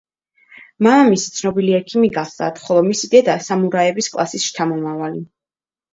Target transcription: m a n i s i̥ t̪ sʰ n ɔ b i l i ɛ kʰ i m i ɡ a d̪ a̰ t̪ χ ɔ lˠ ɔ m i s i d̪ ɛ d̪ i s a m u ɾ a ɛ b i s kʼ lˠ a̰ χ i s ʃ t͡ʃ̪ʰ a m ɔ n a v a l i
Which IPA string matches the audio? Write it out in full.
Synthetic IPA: m a m i s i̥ t̪ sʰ n ɔ b i l i ɛ kʰ i m i ɡ a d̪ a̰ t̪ χ ɔ lˠ ɔ m i s i d̪ ɛ d̪ a s a m u ɾ a ɛ b i s kʼ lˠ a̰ s i s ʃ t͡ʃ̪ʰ a m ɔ m a v a l i